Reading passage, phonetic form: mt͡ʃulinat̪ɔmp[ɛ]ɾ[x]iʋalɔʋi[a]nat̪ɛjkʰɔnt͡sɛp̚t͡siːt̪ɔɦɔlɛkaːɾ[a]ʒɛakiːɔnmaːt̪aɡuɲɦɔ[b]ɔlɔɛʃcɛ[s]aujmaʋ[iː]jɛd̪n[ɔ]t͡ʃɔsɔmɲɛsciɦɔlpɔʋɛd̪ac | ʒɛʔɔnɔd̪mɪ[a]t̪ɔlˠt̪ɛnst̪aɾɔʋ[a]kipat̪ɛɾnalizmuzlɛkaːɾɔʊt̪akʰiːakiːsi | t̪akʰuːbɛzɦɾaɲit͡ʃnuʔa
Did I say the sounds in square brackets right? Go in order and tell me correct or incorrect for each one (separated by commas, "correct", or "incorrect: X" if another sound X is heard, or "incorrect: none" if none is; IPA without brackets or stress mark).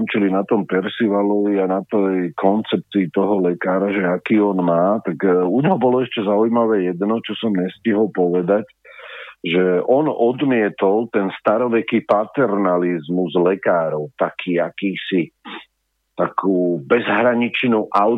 correct, incorrect: s, correct, correct, correct, incorrect: z, incorrect: ɛː, correct, incorrect: ɛ, incorrect: ɛ